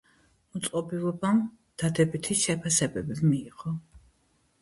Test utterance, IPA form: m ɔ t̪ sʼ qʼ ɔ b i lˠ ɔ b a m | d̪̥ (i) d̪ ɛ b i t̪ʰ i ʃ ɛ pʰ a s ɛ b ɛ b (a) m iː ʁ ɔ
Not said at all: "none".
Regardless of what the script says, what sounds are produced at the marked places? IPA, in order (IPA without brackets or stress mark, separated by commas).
a, i